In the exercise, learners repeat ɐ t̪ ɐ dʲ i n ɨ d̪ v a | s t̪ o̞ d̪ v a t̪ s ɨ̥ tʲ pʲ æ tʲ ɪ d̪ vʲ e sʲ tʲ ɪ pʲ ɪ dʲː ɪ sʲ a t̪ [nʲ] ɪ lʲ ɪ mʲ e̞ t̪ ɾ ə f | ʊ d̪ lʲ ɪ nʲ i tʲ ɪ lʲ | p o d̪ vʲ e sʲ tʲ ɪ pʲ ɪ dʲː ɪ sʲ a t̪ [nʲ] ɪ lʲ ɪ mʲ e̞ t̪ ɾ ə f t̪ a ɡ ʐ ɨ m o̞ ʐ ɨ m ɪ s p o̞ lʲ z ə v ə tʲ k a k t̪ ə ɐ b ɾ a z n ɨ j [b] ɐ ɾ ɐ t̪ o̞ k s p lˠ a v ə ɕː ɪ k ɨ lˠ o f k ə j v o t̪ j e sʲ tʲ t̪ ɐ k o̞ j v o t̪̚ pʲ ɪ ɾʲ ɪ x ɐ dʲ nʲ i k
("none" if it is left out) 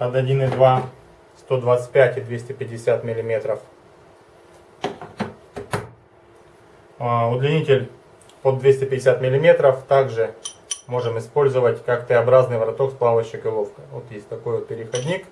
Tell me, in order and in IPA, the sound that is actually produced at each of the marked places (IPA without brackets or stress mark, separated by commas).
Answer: mʲ, mʲ, v